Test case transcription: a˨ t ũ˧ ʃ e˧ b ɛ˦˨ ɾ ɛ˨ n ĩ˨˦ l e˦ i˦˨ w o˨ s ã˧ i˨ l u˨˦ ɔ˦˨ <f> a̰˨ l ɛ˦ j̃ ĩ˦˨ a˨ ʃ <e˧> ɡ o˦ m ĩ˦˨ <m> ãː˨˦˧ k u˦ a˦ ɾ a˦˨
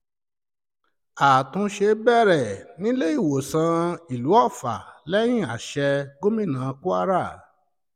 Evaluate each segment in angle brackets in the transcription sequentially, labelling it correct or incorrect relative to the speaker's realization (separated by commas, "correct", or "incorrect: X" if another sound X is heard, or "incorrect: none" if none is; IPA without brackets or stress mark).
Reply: correct, incorrect: ɛ˧, incorrect: n